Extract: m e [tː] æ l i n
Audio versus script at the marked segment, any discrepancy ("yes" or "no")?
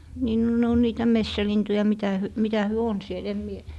yes